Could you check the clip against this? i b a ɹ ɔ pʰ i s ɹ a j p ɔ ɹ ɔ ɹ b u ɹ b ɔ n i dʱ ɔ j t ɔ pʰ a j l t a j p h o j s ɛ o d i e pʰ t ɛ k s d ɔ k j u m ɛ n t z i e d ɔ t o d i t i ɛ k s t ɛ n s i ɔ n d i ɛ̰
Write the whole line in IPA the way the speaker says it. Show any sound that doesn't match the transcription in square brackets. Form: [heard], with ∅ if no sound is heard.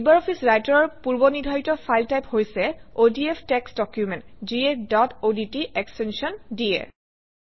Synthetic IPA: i b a ɹ ɔ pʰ i s ɹ a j [t] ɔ ɹ ɔ ɹ [p] u ɹ b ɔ n i dʱ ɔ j t ɔ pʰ a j l t a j p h o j s ɛ o d i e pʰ t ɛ k s d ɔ k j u m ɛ n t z i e d ɔ t o d i t i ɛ k s t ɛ n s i ɔ n d i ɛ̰